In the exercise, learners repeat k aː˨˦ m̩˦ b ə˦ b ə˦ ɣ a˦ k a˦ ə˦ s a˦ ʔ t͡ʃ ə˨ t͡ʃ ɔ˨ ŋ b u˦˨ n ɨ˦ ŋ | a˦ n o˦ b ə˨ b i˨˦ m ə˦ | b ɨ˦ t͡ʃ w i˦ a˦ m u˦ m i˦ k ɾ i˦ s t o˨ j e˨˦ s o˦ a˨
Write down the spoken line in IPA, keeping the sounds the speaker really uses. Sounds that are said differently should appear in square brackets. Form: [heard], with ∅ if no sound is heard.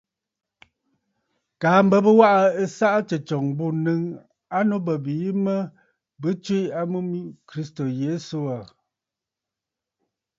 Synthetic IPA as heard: k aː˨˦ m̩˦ b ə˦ b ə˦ [w] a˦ [ʔ] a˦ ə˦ s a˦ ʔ t͡ʃ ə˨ t͡ʃ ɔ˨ ŋ b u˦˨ n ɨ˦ ŋ | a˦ n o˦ b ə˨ b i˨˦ m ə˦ | b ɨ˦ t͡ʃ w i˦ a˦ m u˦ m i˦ k ɾ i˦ s t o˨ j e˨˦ s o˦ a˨